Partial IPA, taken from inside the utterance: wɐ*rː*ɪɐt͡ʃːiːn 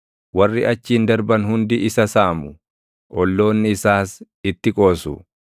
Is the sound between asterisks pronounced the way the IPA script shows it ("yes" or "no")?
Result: yes